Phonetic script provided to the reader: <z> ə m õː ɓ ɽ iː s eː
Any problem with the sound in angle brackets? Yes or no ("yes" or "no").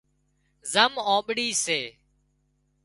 no